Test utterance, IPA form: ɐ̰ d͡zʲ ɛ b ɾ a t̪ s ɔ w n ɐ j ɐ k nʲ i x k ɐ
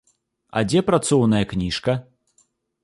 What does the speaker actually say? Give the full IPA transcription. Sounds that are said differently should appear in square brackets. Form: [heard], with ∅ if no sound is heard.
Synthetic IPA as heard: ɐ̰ d͡zʲ ɛ [p] ɾ a t̪ s ɔ w n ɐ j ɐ k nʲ i [ʂ] k ɐ